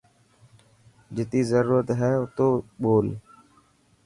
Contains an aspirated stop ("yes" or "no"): no